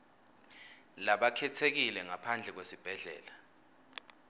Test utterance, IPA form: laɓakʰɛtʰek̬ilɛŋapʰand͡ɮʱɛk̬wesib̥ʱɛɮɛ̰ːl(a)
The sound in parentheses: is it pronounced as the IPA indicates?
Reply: yes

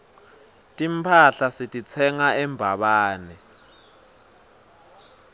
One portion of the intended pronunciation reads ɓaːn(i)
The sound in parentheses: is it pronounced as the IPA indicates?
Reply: no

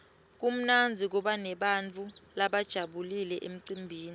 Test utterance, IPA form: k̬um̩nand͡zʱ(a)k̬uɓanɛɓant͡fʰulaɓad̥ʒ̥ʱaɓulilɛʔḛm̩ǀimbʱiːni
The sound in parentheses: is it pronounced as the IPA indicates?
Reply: no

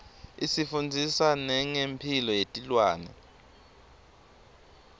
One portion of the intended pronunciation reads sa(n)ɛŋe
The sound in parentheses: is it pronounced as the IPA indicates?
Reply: yes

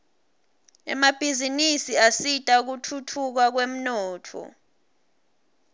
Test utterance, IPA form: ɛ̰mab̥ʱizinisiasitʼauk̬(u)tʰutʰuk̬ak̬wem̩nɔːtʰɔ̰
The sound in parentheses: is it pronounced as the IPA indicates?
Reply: yes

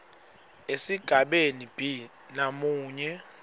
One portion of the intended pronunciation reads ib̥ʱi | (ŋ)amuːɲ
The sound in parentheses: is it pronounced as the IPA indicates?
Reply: no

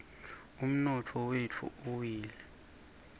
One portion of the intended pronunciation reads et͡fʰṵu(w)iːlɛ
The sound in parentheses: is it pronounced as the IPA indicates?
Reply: yes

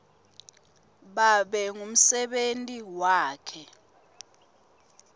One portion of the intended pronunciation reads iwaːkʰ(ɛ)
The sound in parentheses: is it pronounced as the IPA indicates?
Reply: yes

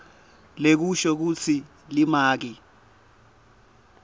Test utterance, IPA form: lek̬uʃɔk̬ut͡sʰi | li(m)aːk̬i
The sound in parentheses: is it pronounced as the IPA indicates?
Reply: yes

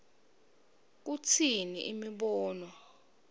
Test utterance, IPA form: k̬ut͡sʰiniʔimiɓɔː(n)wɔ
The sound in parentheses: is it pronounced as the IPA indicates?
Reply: yes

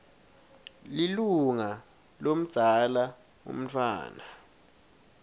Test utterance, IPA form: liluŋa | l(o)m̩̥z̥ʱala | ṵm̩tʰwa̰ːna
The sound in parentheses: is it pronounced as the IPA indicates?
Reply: yes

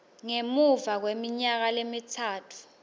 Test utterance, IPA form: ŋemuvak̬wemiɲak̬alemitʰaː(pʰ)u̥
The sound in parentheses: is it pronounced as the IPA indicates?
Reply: no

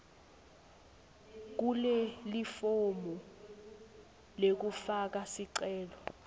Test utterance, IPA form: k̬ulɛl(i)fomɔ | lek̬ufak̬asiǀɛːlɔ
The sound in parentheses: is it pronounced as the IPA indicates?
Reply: yes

